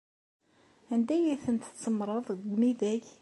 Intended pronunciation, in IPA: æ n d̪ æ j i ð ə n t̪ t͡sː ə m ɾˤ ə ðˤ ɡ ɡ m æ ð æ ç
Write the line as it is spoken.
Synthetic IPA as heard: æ n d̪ æ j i θ ə n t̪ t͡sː ə m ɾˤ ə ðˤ ɡ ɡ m i ð æ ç